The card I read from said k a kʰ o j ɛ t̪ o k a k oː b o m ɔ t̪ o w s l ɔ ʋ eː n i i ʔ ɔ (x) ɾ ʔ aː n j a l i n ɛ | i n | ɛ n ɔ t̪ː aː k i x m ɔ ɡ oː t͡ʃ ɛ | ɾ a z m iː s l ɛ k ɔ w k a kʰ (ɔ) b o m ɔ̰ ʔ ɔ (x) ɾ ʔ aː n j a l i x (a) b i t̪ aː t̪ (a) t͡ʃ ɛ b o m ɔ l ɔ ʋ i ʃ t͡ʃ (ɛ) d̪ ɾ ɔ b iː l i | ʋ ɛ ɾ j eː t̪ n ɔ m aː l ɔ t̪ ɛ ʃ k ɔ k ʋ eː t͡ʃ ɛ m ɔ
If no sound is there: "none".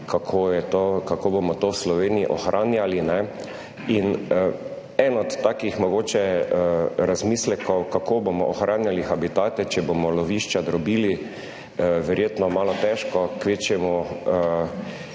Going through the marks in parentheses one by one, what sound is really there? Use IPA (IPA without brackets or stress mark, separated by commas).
x, o, x, a, ɛ, a